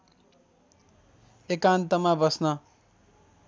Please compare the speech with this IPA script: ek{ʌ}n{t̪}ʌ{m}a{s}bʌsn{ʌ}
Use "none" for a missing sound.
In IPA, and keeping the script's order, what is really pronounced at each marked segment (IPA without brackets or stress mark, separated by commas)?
a, t̪, m, none, ʌ